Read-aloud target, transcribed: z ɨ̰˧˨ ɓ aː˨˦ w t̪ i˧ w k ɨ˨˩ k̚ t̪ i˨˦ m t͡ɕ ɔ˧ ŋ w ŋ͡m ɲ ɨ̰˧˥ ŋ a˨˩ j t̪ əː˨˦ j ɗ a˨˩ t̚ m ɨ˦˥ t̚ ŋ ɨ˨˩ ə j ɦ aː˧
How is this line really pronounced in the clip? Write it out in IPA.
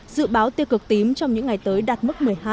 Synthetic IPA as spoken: z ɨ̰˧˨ ɓ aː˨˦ w t̪ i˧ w k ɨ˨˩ k̚ t̪ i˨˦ m t͡ɕ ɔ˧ w ŋ͡m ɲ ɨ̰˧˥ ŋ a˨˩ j t̪ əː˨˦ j ɗ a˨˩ t̚ m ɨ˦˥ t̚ m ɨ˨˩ ə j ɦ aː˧